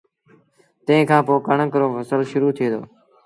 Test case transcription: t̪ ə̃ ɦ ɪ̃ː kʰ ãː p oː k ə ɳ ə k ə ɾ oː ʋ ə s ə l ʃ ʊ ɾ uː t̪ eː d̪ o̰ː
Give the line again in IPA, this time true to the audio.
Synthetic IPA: t̪ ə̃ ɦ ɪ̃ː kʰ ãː p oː k ə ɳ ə k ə ɾ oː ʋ ə s ə l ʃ ʊ ɾ uː t̪ʰ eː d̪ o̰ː

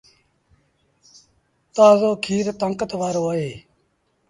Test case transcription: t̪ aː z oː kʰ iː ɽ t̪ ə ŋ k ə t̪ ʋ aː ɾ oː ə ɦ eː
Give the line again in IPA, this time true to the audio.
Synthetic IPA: t̪ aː z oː kʰ iː ɾ t̪ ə ŋ k ə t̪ ʋ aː ɾ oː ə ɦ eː

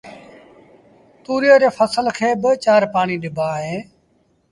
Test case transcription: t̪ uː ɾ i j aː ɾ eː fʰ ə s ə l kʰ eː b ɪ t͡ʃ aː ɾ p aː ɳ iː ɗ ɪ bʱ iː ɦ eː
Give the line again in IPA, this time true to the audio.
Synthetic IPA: t̪ uː ɾ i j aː ɾ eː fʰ ə s ə l kʰ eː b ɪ t͡ʃ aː ɾ p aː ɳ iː ɗ ɪ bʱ aː ɦ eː

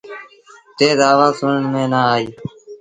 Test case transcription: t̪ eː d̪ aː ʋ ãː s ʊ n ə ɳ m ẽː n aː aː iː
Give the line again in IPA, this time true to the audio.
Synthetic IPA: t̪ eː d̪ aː ʋ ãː s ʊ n ə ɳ m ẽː n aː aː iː

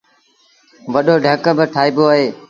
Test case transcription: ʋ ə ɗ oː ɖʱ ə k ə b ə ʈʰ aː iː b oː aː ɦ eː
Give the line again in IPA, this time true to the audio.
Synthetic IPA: ʋ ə ɗ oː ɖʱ ə k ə b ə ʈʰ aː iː b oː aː ɦ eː

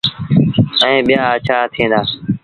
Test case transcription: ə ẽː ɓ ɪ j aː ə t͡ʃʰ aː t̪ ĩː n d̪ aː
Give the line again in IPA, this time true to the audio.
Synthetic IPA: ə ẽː ɓ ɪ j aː ə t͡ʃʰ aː t̪ʰ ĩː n d̪ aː

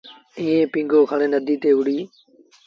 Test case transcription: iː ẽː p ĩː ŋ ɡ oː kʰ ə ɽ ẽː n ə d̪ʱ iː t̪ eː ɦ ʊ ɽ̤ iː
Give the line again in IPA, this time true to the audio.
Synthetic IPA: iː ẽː p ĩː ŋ ɡ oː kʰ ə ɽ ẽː n ə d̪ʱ iː t̪ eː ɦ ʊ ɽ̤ iː

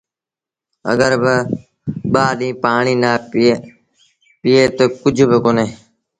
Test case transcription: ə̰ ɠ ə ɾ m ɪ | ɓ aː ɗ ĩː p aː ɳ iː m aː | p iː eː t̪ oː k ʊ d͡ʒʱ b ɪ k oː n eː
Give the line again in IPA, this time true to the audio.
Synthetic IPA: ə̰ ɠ ə ɾ b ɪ | ɓ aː ɗ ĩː p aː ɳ iː n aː | p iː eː t̪ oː k ʊ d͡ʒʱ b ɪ k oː n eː

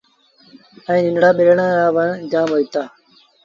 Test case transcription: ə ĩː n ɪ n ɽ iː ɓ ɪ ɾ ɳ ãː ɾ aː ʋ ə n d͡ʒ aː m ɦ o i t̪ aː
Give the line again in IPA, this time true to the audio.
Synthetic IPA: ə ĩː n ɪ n ɽ aː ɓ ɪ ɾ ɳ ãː ɾ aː ʋ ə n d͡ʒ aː m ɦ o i t̪ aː

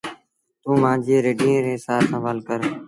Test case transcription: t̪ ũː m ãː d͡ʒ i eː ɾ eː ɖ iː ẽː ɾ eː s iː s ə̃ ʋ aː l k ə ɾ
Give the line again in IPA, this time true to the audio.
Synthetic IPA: t̪ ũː m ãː d͡ʒ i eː ɾ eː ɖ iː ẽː ɾ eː s aː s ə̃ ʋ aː l k ə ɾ

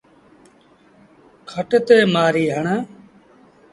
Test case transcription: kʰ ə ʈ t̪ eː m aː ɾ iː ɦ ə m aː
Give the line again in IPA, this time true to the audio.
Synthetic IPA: kʰ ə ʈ t̪ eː m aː ɾ iː ɦ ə ɳ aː

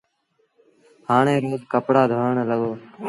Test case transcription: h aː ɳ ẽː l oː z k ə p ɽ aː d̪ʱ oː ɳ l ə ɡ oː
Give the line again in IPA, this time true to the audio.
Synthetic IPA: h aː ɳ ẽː ɾ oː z k ə p ɽ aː d̪ʱ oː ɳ l ə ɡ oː

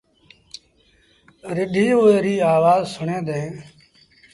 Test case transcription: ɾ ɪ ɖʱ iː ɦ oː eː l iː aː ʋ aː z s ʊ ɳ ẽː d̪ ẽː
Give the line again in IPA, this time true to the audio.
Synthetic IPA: ɾ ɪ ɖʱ iː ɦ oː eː ɾ iː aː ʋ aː z s ʊ ɳ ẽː d̪ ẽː

